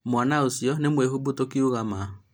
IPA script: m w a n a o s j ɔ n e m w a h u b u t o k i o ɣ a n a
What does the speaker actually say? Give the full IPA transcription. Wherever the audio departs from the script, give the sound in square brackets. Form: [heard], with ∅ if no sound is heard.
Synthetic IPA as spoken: m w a n a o s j ɔ n e m w [e] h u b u t o k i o ɣ a [m] a